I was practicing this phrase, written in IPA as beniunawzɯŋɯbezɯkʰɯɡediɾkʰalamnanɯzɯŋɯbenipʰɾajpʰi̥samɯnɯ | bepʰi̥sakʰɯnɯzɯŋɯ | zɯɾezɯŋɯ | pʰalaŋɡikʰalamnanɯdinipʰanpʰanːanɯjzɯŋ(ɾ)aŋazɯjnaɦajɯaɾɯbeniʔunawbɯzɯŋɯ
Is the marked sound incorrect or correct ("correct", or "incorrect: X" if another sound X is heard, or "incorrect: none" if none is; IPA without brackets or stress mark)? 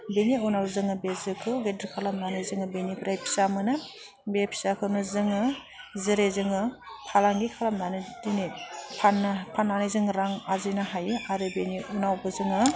correct